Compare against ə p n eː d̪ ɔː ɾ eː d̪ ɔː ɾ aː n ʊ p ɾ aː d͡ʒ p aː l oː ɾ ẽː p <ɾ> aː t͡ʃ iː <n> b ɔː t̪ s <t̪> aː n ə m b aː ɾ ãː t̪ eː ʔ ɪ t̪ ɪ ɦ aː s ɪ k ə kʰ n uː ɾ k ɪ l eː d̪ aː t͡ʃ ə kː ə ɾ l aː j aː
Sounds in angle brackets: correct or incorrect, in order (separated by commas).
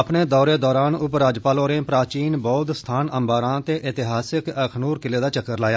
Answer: correct, correct, incorrect